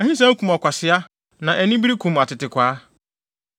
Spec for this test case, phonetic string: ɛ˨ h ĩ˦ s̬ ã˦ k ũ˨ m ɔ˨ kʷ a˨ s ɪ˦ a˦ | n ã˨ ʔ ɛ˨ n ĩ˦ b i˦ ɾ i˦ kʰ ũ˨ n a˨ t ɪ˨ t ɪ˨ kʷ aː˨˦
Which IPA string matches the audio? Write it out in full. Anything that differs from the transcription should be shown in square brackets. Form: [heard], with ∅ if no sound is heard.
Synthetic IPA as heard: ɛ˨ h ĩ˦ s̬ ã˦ k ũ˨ m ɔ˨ kʷ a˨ s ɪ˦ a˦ | n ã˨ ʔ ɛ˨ n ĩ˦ b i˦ ɾ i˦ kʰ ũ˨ [m] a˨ t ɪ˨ t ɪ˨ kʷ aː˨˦